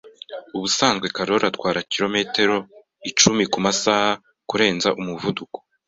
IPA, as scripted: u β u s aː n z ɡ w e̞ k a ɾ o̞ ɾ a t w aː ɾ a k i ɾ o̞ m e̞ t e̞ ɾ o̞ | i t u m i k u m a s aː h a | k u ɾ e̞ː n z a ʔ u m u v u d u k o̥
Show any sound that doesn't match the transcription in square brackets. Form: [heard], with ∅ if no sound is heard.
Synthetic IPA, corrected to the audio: u β u s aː n z ɡ w e̞ k a ɾ o̞ ɾ a t w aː ɾ a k i ɾ o̞ m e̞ t e̞ ɾ o̞ | i [t͡ʃ] u m i k u m a s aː h a | k u ɾ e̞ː n z a ʔ u m u v u d u k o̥